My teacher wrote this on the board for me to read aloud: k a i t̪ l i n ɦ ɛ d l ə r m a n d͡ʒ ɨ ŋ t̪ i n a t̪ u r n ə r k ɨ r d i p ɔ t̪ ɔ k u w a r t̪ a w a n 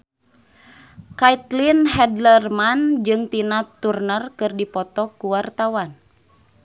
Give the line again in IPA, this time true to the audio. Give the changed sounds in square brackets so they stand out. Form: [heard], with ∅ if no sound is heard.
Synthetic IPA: k a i t̪ l i n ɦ ɛ d l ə r m a n d͡ʒ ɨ ŋ t̪ i n a t̪ u r n ə r k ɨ r d i p ɔ t̪ ɔ k u w a r t̪ a w a n